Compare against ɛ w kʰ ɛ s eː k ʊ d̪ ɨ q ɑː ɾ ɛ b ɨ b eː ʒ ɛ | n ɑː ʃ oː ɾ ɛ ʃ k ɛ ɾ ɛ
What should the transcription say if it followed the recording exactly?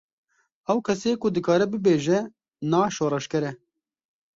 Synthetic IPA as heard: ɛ w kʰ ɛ s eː k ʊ d̪ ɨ k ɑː ɾ ɛ b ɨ b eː ʒ ɛ | n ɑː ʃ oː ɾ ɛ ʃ k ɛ ɾ ɛ